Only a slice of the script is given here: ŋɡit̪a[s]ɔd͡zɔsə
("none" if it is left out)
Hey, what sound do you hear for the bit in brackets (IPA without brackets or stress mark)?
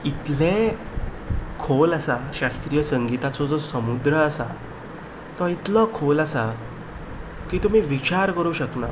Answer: t͡s